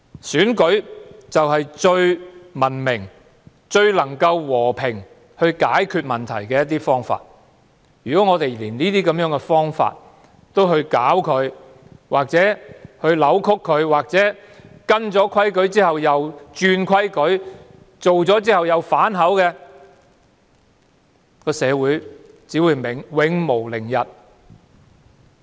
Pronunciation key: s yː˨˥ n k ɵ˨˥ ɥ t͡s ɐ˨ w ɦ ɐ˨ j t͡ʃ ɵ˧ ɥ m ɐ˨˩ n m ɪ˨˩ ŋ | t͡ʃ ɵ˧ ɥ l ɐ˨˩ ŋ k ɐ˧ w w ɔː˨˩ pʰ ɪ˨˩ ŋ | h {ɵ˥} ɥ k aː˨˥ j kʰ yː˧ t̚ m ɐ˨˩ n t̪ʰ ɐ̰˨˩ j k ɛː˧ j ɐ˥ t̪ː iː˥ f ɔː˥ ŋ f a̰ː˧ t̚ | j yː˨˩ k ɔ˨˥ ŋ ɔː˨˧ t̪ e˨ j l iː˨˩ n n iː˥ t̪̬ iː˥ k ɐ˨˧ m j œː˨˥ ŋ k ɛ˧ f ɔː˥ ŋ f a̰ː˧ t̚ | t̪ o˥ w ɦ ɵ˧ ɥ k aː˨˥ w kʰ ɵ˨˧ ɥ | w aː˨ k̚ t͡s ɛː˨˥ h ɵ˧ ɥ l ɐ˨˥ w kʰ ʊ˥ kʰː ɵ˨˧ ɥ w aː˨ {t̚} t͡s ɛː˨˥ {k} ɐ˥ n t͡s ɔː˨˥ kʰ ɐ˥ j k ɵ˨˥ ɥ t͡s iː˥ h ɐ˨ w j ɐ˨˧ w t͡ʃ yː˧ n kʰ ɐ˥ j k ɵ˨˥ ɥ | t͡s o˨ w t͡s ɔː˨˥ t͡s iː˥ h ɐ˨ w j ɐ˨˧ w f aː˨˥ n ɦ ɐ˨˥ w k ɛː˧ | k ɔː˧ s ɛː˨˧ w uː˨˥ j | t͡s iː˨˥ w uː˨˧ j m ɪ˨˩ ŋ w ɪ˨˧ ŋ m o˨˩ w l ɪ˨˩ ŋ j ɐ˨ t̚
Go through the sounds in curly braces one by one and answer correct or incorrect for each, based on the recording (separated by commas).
incorrect, incorrect, correct